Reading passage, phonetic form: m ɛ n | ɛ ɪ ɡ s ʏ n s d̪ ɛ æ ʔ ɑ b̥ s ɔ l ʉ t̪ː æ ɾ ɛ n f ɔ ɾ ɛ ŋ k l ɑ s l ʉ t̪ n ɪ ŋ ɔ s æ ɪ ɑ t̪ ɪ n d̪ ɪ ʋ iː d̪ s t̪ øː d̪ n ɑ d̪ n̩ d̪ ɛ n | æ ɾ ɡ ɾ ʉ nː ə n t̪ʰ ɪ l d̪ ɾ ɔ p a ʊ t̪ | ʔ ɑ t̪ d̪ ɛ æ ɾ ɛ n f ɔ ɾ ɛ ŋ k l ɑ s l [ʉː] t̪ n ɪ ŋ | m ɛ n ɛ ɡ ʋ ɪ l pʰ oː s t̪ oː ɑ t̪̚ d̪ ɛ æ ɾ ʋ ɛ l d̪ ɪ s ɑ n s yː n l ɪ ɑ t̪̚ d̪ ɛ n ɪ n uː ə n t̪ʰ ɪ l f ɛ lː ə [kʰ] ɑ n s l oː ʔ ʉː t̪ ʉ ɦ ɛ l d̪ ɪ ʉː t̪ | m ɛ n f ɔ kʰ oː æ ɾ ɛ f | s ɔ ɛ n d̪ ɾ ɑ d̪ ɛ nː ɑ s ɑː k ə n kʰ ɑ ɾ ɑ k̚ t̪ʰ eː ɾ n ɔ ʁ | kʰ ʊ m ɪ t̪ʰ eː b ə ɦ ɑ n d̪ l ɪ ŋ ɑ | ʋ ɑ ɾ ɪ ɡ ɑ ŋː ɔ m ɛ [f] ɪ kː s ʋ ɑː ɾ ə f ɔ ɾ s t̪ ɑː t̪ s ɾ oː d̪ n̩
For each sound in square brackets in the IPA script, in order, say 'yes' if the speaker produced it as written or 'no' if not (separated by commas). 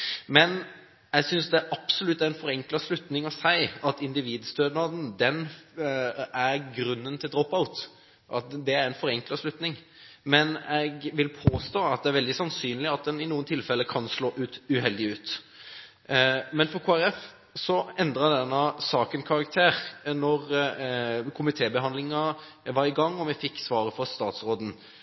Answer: no, yes, yes